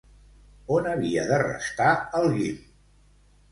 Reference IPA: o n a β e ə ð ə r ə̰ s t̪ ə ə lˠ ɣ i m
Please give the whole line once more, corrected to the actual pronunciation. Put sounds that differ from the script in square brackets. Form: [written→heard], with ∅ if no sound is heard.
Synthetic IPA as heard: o n [a→ə] β [e→i] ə ð ə r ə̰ s t̪ [ə→a] ə lˠ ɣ i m